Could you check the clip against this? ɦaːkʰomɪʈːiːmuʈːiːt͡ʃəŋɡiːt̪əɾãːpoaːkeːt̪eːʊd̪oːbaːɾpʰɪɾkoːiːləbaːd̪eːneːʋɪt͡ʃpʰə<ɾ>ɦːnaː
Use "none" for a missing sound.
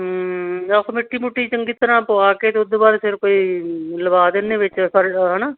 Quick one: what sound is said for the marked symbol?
ɾ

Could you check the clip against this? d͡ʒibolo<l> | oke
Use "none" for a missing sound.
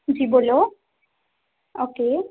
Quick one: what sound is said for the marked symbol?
none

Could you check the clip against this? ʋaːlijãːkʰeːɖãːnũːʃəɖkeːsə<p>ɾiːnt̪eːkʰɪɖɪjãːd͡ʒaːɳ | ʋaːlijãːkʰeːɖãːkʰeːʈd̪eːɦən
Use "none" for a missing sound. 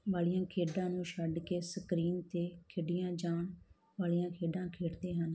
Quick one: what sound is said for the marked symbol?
k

